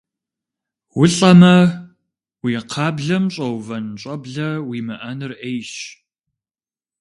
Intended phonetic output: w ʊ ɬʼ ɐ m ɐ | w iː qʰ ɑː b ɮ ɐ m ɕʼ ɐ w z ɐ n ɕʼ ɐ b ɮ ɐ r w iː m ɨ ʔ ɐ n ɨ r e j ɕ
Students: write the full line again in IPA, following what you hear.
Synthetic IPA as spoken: w ʊ ɬʼ ɐ m ɐ | w iː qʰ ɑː b ɮ ɐ m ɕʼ ɐ w v ɐ n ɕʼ ɐ b ɮ ɐ w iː m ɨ ʔ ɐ n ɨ r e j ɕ